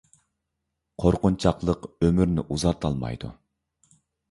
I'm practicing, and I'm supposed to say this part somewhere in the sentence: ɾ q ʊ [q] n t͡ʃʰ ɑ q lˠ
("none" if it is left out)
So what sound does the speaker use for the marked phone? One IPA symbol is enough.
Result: none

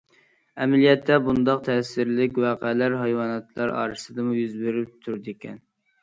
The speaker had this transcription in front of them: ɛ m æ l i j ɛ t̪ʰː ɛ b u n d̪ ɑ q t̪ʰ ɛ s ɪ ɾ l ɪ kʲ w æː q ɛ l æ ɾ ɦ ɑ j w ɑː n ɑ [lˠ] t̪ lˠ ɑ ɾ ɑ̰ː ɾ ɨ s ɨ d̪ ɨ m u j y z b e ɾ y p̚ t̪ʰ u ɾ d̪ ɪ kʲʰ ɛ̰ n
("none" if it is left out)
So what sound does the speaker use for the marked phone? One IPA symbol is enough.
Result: none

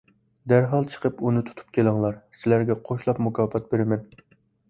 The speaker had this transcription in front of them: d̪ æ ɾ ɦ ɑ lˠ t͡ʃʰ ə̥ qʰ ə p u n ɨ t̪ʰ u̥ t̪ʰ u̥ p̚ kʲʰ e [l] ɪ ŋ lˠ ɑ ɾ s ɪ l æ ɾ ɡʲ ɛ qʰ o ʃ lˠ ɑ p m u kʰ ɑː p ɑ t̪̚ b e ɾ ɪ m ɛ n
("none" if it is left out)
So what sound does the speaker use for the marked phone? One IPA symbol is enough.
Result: l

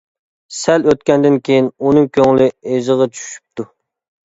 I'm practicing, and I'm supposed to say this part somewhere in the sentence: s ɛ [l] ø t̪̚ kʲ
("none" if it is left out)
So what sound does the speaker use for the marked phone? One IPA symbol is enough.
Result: l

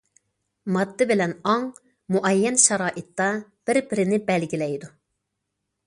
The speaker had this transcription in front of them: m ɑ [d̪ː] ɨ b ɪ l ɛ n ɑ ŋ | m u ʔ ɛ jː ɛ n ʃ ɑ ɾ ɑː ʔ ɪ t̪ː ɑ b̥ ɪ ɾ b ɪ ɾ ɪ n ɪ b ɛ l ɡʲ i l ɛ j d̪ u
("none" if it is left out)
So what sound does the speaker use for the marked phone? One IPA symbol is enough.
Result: d̪ː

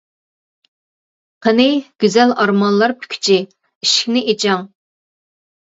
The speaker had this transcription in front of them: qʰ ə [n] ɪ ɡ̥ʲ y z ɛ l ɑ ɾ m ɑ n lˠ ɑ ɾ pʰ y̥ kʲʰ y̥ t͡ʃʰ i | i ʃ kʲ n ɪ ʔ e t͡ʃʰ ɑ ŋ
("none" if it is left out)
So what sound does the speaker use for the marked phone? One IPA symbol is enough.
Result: n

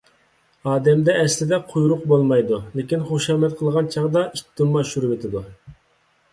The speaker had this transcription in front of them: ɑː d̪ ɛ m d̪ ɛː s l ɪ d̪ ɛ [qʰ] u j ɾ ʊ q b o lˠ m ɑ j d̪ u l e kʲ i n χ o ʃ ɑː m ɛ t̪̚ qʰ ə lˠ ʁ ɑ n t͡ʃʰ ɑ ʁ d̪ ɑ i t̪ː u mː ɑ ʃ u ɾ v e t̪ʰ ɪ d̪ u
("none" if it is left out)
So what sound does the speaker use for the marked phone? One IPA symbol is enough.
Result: qʰ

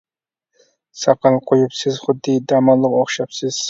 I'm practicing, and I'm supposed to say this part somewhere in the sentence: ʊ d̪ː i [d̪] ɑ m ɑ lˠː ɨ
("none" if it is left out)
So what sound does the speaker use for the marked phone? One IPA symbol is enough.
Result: d̪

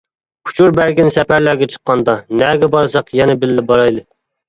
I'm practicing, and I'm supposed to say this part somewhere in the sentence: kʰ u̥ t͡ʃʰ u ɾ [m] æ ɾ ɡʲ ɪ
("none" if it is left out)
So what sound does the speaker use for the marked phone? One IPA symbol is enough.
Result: b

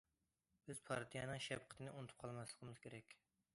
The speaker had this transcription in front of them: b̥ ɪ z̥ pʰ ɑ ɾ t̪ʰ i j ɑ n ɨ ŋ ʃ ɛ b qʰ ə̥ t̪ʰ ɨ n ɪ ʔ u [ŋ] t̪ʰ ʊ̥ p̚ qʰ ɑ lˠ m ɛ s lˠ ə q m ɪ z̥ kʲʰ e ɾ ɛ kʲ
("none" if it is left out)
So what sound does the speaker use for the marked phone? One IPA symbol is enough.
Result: n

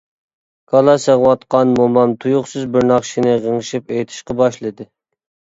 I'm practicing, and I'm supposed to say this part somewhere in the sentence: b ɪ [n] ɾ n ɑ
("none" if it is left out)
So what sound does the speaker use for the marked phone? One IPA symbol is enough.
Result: none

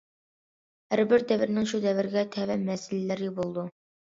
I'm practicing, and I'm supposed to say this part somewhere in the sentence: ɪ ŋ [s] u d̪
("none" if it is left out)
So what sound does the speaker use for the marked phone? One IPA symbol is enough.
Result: ʃ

